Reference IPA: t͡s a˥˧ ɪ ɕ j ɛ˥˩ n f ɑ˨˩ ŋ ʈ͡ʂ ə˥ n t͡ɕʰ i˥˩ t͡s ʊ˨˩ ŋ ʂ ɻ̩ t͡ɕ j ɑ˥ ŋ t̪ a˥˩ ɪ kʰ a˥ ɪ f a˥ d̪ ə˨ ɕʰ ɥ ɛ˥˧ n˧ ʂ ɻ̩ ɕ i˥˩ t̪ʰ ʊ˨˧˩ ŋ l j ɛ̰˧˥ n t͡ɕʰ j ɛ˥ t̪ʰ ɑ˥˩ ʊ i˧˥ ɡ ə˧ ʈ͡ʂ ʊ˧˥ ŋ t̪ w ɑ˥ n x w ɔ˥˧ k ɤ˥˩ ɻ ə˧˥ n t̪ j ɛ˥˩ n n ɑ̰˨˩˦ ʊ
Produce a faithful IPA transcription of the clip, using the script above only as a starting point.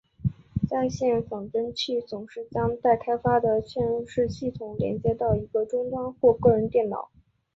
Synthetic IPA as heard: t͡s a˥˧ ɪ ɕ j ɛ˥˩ n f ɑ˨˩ ŋ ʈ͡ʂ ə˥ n t͡ɕʰ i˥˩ t͡s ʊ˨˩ ŋ ʂ ɻ̩ t͡ɕ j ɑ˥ ŋ t̪ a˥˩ ɪ kʰ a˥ ɪ f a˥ d̪ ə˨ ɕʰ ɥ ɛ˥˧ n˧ ʂ ɻ̩ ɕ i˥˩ t̪ʰ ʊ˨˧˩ ŋ l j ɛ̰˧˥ n t͡ɕ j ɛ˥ t̪ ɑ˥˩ ʊ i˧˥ ɡ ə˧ ʈ͡ʂ ʊ˥ ŋ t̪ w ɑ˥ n x w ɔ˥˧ k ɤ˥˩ ɻ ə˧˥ n t̪ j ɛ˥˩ n n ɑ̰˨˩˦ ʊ